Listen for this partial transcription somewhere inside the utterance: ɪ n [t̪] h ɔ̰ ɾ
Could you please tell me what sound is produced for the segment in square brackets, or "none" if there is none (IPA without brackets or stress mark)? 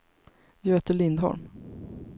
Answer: d̪